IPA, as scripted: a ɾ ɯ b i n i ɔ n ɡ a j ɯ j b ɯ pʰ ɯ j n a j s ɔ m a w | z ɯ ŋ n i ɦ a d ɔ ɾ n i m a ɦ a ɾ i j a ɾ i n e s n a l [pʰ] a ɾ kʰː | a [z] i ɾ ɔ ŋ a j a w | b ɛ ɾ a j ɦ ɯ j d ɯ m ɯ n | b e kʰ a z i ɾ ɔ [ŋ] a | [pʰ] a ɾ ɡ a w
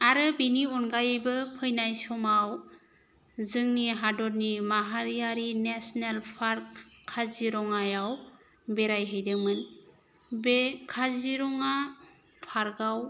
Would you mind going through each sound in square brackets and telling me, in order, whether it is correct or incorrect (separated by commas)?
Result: correct, correct, correct, correct